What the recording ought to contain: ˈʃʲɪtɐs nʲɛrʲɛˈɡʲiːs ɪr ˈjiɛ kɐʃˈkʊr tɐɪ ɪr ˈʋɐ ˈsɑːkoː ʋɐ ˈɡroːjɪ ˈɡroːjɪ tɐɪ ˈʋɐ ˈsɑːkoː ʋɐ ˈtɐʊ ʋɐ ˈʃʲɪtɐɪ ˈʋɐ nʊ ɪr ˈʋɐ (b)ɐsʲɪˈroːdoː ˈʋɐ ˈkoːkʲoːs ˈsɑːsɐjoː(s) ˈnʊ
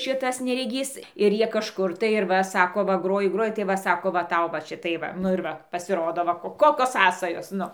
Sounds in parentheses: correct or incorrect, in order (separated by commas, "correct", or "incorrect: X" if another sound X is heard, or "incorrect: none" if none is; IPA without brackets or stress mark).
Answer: incorrect: p, correct